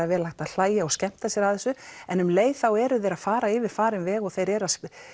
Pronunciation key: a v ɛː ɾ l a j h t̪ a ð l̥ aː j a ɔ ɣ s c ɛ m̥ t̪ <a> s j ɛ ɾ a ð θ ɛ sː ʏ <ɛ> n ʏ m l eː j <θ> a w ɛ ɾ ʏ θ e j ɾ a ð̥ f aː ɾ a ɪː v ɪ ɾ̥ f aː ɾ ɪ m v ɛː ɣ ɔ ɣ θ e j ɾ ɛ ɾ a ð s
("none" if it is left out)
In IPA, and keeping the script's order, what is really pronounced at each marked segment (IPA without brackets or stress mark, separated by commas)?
a, ɛ, θ